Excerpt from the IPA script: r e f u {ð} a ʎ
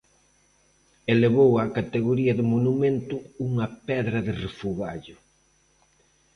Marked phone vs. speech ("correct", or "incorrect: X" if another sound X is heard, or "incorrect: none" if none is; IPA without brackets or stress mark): incorrect: ɣ